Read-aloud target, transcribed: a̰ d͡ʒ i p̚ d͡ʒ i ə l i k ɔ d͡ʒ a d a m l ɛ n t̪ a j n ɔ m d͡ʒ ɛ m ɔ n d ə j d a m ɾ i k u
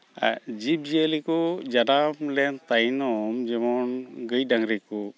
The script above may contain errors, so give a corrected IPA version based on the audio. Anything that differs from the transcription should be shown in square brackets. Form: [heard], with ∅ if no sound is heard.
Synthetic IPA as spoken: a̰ d͡ʒ i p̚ d͡ʒ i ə l i k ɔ d͡ʒ a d a m l ɛ n t̪ a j n ɔ m d͡ʒ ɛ m ɔ n [ɡ] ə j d a [ŋ] ɾ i k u